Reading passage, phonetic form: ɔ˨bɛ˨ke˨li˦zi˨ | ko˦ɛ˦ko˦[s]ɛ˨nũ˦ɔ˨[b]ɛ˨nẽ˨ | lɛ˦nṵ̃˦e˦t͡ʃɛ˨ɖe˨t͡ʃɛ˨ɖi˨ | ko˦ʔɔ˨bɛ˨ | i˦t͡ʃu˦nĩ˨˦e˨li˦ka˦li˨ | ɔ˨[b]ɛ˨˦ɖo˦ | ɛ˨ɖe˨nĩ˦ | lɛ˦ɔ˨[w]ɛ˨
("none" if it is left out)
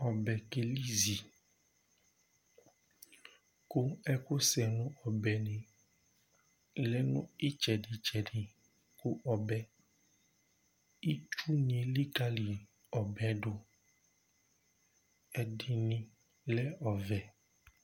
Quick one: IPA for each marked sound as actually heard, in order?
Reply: s, b, b, v

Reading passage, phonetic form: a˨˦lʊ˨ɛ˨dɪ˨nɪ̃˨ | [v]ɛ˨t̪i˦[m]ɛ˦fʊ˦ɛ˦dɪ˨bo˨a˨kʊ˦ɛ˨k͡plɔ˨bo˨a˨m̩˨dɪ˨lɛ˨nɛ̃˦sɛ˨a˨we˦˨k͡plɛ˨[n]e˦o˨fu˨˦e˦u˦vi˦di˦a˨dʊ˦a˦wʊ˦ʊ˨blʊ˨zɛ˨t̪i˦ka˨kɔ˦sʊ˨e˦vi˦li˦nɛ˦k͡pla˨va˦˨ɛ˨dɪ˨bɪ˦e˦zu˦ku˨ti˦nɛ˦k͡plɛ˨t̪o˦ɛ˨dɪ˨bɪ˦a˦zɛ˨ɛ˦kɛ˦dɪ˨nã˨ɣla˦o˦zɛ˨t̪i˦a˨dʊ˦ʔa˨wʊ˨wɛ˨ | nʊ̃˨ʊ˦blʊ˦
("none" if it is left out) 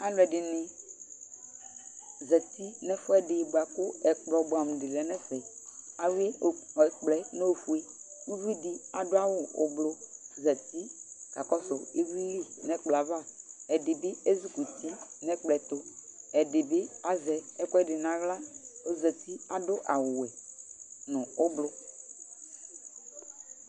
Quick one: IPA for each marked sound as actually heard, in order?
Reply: z, n, n

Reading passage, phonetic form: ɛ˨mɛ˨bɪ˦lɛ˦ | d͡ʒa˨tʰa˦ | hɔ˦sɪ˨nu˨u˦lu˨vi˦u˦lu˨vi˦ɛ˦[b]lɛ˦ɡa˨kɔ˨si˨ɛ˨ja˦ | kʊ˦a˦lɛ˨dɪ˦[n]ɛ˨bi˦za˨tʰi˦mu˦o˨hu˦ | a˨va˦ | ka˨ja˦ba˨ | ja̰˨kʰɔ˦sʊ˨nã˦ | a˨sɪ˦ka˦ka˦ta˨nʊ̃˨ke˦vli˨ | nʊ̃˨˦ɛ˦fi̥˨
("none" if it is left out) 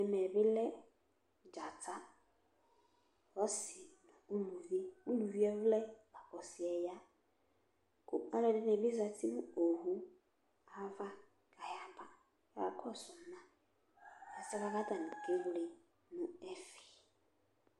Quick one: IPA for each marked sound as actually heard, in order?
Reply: v, n

